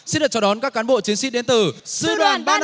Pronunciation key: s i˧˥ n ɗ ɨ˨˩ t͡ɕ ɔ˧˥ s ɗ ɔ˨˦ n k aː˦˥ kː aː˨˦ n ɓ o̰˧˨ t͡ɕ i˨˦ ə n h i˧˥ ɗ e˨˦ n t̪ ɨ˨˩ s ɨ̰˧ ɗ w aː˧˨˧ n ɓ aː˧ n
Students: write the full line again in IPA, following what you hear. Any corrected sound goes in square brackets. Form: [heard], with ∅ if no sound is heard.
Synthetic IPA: s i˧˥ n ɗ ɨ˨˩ t͡ɕ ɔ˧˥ [∅] ɗ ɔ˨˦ n k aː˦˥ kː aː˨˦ n ɓ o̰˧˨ t͡ɕ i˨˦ ə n [s] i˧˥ ɗ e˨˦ n t̪ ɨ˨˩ s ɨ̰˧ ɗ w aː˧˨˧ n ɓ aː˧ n